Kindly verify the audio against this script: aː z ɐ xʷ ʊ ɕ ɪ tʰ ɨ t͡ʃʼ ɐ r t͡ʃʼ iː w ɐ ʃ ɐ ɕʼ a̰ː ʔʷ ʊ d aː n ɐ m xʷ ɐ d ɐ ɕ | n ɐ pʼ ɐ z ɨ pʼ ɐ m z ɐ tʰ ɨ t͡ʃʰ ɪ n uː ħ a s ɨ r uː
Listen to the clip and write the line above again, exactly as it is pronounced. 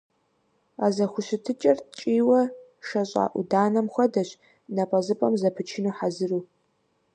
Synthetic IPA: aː z ɐ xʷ ʊ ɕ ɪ tʰ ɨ t͡ʃʼ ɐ r t͡ʃʼ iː w ɐ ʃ ɐ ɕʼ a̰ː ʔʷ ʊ d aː n ɐ m xʷ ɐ d ɐ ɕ | n ɐ pʼ ɐ z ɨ pʼ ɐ m z ɐ pʰ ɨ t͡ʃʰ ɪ n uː ħ a z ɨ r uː